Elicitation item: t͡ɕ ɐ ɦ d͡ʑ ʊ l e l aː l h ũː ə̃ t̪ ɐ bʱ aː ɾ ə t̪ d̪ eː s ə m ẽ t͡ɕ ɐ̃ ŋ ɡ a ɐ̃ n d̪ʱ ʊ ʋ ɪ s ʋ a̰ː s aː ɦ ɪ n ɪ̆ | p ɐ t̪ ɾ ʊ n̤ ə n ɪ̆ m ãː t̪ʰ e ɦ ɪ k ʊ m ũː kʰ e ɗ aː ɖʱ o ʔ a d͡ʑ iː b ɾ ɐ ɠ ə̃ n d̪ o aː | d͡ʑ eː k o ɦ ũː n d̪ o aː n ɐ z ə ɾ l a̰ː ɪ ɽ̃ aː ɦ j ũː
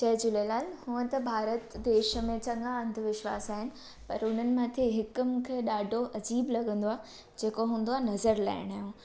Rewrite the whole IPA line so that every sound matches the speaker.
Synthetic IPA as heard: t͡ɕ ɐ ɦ d͡ʑ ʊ l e l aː l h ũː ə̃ t̪ ɐ bʱ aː ɾ ə t̪ d̪ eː ʃ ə m ẽ t͡ɕ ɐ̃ ŋ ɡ a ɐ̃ n d̪ʱ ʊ ʋ ɪ ʃ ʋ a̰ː s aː ɦ ɪ n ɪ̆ | p ɐ ɾ ʊ n̤ ə n ɪ̆ m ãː t̪ʰ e ɦ ɪ k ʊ m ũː kʰ e ɗ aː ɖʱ o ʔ ɐ d͡ʑ iː b l ɐ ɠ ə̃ n d̪ o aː | d͡ʑ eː k o ɦ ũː n d̪ o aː n ɐ z ə ɾ l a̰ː ɪ ɽ̃ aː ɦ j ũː